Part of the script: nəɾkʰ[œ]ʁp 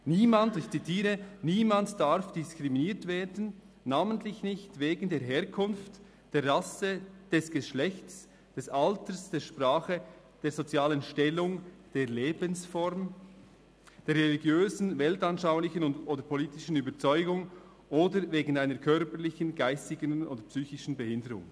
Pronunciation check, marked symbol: correct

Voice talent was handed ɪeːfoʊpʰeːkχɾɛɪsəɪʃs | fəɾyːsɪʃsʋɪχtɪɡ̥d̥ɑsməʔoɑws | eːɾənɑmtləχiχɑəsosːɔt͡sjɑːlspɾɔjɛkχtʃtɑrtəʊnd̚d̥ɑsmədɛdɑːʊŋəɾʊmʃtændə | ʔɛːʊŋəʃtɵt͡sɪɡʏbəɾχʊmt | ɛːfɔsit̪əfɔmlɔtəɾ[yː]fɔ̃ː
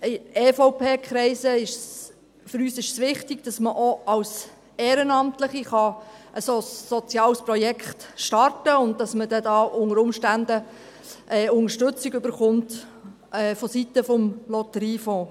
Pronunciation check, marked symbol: incorrect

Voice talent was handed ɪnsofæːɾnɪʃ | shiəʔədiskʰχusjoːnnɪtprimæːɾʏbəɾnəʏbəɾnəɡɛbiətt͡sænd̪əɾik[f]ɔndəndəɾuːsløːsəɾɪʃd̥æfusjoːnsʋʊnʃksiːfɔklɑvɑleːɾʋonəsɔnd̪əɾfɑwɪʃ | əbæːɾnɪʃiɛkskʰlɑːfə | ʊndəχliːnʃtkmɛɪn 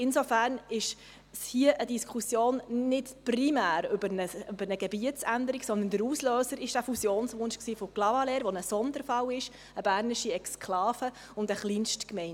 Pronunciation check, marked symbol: incorrect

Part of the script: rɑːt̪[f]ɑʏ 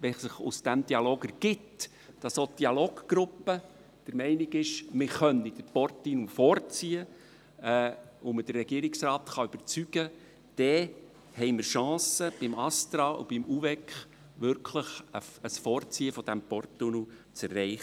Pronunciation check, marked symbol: incorrect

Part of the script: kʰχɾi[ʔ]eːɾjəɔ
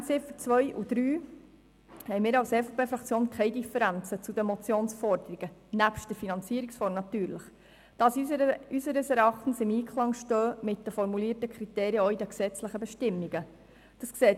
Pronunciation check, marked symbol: incorrect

